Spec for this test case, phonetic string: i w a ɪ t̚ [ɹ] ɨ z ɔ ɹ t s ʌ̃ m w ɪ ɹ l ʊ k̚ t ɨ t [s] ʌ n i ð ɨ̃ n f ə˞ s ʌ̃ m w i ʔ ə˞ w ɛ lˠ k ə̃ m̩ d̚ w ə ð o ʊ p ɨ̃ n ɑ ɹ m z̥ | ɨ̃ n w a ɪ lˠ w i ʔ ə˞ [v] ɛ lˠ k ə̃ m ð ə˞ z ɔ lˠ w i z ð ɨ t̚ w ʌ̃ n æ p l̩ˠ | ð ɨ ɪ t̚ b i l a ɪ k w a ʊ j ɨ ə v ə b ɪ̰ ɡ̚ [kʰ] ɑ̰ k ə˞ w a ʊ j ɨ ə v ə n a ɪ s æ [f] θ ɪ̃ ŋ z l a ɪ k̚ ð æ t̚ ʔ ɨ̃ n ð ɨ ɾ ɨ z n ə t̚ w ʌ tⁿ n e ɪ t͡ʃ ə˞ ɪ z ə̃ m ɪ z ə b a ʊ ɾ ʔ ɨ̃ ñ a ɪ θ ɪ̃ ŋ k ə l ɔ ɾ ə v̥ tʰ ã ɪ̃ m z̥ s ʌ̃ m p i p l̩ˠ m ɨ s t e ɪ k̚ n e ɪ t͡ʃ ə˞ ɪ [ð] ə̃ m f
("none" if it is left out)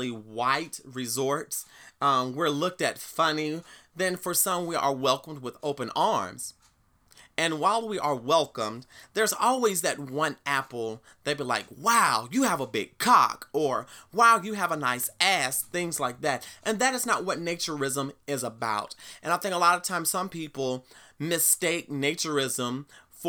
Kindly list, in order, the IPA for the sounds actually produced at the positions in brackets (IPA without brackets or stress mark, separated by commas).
ɹ, f, w, kʰ, s, z